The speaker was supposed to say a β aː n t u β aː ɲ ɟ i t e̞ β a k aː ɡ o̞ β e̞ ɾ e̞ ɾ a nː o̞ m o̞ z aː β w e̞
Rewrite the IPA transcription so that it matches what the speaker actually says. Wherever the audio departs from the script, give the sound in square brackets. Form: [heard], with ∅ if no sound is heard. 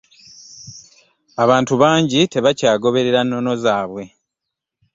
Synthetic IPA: a β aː n t u β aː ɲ ɟ i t e̞ β a [c] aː ɡ o̞ β e̞ ɾ e̞ ɾ a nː o̞ [n] o̞ z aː β w e̞